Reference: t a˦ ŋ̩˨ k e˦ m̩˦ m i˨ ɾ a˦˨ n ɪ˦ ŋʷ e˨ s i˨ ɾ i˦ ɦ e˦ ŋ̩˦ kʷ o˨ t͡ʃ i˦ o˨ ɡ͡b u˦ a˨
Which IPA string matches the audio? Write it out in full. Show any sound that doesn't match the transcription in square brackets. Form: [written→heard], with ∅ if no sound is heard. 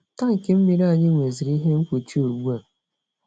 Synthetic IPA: t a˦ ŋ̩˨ k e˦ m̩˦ m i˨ ɾ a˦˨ [n→ɲ] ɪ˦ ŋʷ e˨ [s→z] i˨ ɾ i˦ ɦ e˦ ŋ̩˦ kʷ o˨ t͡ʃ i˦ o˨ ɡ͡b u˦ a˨